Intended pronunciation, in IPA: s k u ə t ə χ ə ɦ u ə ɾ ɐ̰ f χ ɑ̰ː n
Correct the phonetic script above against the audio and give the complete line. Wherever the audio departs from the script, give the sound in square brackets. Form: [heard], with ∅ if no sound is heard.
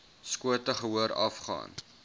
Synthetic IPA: s k u ə t ə χ ə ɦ u ə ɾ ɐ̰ f χ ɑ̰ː n

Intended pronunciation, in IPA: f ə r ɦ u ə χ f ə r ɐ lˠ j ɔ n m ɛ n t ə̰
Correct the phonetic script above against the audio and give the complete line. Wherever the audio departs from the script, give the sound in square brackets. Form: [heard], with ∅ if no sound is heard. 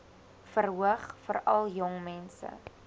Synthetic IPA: f ə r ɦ u ə χ f ə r ɐ lˠ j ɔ [ŋ] m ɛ n [s] ə̰

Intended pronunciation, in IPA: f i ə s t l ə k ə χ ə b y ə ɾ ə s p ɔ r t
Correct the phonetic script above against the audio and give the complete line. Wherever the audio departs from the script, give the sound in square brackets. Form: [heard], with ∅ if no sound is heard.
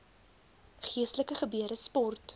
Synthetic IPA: [χ] i ə s t l ə k ə χ ə b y ə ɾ ə s p ɔ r t

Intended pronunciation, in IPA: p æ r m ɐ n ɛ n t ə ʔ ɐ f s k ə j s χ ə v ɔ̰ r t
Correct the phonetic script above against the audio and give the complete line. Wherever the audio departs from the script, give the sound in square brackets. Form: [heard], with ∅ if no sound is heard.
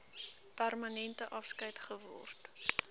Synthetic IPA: p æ r m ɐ n ɛ n t ə ʔ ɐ f s k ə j [t] χ ə v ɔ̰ r t

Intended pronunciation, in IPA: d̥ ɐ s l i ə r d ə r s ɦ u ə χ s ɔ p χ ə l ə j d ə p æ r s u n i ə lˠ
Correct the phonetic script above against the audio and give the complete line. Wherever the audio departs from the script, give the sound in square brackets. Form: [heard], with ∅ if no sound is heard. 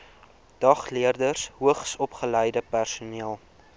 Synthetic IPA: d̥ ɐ [χ] l i ə r d ə r s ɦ u ə χ s ɔ p χ ə l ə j d ə p æ r s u n i ə lˠ

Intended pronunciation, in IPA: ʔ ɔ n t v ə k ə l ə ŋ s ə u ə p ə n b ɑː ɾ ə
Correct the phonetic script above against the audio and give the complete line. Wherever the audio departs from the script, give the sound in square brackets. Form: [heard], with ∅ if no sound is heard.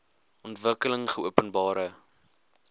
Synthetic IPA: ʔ ɔ n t v ə k ə l ə ŋ [χ] ə u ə p ə n b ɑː ɾ ə

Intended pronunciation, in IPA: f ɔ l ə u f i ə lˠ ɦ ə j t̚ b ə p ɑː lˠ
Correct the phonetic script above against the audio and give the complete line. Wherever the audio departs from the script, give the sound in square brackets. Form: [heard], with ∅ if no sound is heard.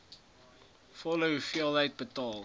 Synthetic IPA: f ɔ l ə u f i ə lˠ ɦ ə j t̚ b ə [t] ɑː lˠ

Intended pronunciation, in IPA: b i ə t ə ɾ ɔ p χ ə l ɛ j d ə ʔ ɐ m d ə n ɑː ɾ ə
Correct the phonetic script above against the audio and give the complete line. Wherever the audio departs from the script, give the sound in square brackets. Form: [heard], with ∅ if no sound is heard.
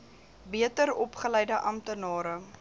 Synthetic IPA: b i ə t ə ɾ ɔ p χ ə l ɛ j d ə ʔ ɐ m [t] ə n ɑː ɾ ə

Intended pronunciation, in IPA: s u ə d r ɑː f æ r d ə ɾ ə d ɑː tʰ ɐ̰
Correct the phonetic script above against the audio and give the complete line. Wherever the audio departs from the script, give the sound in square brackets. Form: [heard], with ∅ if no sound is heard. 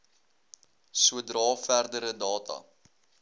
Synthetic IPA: s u ə d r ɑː f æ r d ə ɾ ə d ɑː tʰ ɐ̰

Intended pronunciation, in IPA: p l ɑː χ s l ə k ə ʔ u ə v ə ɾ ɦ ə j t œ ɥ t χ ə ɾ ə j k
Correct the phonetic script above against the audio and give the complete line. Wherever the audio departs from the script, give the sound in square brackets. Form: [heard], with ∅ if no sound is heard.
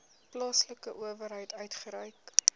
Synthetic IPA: p l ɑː [∅] s l ə k ə ʔ u ə v ə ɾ ɦ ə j t œ ɥ t χ ə ɾ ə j k

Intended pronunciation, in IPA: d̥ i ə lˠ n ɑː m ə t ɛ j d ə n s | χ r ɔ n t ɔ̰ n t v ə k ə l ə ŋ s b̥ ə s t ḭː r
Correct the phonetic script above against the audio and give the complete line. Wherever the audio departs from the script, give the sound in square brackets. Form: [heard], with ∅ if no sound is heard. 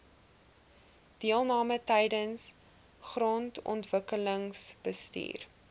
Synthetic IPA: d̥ i ə lˠ n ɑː m ə t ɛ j d ə n s | χ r ɔ n t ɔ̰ n t v ə k ə l ə ŋ s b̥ ə s t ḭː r

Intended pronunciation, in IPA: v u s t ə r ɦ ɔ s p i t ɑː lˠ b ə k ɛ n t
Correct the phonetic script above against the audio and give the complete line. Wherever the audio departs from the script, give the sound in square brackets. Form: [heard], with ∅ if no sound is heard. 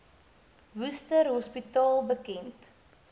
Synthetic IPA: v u s t ə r ɦ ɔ s p i t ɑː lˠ b ə k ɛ n t

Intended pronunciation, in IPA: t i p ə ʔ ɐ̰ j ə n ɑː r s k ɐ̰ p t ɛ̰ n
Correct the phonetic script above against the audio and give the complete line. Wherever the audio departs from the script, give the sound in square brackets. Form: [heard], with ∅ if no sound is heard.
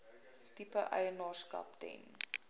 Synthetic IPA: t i p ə ʔ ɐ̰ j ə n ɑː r s k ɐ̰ p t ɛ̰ n

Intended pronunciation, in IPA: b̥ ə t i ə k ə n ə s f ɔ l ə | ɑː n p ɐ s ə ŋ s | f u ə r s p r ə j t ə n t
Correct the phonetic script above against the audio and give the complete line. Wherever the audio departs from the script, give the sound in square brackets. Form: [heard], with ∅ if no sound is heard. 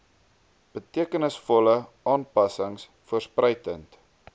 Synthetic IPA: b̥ ə t i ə k ə n ə s f ɔ l ə | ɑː n p ɐ s ə ŋ s | f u ə r s p r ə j t ə n t

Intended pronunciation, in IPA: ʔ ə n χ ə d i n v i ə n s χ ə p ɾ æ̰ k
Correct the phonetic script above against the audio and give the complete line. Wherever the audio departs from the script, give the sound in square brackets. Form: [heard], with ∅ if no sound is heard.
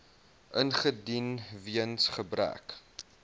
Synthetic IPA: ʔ ə n χ ə d i n v i ə n s χ ə [b] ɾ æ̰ k

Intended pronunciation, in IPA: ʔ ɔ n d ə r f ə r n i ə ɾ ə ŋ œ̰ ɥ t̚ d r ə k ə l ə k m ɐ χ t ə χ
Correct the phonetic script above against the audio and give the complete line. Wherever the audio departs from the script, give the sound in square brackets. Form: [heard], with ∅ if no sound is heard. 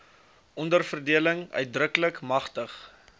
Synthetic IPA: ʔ ɔ n d ə r f ə r [d] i ə [l] ə ŋ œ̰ ɥ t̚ d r ə k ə l ə k m ɐ χ t ə χ

